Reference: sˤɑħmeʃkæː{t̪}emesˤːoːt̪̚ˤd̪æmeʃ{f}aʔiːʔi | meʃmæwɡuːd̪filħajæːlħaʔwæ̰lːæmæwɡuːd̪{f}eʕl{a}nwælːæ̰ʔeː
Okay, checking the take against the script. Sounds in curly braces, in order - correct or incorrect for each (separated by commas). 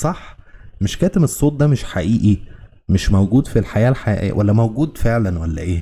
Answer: correct, incorrect, correct, incorrect